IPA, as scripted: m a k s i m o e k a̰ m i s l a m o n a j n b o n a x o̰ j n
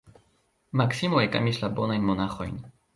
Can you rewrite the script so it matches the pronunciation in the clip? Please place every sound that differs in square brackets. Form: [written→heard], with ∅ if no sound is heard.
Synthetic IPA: m a k s i m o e k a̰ m i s l a [m→b] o n a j n [b→m] o n a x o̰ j n